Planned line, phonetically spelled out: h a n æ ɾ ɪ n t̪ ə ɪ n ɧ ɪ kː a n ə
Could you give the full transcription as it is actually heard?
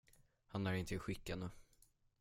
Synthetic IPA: h a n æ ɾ ɪ n t̪ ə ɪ ɧ ɪ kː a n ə